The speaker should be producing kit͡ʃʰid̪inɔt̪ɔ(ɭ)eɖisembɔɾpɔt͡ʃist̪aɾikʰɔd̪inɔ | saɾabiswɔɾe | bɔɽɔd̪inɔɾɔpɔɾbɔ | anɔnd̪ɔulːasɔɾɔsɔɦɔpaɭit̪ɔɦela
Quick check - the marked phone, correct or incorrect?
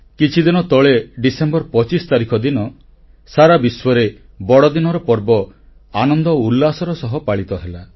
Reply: correct